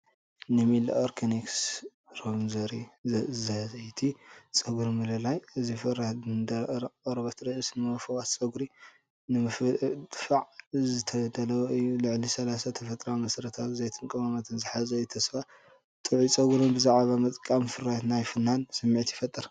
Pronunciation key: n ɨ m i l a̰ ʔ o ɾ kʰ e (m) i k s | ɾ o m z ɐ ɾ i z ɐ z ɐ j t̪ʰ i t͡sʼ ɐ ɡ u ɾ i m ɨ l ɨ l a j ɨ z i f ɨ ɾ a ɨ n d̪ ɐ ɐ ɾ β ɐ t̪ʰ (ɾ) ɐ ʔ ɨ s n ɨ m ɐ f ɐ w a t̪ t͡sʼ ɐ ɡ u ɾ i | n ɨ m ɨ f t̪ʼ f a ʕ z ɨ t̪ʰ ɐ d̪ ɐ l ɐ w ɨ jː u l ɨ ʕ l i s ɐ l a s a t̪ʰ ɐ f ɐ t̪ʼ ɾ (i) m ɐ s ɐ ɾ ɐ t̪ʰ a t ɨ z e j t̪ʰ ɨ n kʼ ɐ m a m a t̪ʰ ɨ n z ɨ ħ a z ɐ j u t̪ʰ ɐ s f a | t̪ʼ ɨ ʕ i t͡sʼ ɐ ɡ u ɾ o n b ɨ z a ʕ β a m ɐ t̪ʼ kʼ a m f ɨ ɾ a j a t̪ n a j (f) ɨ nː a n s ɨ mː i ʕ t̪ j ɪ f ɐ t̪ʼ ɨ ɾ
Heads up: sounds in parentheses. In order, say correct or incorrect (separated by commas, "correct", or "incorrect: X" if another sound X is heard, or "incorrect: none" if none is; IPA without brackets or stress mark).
incorrect: n, correct, incorrect: a, correct